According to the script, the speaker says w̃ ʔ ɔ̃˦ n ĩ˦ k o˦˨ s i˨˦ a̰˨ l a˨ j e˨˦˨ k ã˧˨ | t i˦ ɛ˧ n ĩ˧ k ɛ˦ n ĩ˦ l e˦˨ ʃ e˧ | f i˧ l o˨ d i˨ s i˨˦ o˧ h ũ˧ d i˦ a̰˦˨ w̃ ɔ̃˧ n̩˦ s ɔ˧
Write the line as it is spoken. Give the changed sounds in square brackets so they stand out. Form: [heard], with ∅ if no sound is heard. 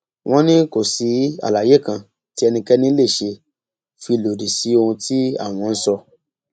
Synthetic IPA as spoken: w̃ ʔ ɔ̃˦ n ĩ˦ k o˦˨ s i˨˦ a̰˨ l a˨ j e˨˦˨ k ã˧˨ | t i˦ ɛ˧ n ĩ˧ k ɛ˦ n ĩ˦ l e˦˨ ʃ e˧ | f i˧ l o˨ d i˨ s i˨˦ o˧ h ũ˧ [t] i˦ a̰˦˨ w̃ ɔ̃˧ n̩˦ s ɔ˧